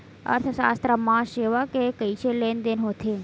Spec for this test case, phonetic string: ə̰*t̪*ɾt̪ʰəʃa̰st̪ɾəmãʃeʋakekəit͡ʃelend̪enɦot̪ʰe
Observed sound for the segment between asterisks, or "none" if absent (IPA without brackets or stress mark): none